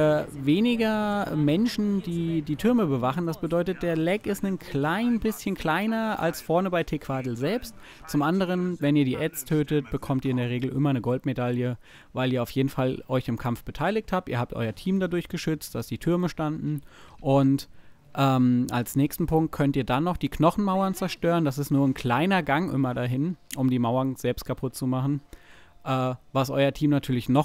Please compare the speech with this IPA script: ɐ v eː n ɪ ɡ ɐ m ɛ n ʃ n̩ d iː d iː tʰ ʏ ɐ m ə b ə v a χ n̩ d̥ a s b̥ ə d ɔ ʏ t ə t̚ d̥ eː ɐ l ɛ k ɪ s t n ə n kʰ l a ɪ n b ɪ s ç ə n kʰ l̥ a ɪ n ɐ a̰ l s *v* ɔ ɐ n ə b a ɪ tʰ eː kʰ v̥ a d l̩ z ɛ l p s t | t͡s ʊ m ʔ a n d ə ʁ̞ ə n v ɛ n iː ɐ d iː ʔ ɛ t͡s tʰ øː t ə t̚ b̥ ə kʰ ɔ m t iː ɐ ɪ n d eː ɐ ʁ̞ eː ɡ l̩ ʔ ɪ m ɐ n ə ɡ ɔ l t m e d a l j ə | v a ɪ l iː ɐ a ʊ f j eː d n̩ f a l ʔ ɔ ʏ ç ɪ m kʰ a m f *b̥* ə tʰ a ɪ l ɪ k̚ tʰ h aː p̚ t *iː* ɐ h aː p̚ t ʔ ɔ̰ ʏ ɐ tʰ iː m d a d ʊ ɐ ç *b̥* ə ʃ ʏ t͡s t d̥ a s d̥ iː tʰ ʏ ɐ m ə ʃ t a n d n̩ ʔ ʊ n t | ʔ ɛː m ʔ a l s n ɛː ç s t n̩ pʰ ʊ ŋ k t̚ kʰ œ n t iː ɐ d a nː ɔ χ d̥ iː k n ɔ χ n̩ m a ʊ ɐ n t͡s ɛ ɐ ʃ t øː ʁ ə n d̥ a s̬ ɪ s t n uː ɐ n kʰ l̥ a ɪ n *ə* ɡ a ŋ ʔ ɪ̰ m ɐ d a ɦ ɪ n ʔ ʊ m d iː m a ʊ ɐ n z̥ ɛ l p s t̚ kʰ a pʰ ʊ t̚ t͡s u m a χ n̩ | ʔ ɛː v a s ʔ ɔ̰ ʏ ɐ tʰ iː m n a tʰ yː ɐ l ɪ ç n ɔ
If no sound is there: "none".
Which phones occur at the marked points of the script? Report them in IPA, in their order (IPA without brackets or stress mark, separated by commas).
f, b̥, iː, ɡ̥, ɐ